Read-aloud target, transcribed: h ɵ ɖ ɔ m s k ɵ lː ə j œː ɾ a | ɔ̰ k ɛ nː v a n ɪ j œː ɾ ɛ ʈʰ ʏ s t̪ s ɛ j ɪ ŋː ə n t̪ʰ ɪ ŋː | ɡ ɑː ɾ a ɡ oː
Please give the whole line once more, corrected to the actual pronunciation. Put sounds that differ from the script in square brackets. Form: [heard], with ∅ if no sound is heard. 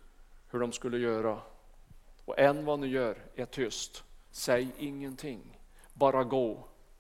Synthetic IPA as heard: h ɵ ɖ ɔ m s k ɵ lː ə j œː ɾ a | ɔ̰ [ʔ] ɛ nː v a n ɪ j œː ɾ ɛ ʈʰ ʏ s t̪ s ɛ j ɪ ŋː ə n t̪ʰ ɪ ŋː | [b] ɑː ɾ a ɡ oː